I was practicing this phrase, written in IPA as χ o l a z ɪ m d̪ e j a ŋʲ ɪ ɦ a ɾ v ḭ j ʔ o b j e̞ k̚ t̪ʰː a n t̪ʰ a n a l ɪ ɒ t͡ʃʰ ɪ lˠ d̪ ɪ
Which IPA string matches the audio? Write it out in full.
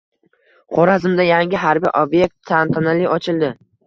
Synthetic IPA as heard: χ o ɾ a z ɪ m d̪ a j a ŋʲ ɪ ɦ a ɾ b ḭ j ʔ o b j e̞ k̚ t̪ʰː a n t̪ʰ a n a l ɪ ɒ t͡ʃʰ ɪ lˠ d̪ ɪ